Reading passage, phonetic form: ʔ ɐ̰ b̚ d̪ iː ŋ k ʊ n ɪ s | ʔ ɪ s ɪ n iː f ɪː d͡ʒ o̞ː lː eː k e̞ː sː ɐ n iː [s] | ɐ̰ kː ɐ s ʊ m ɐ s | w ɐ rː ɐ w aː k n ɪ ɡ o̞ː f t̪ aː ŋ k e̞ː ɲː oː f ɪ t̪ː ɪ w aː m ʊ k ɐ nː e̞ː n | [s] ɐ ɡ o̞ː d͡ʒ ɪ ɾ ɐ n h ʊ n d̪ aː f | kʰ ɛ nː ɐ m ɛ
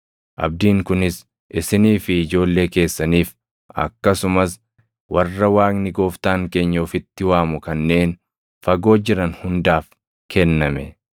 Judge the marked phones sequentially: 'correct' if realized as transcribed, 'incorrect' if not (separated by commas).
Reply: incorrect, incorrect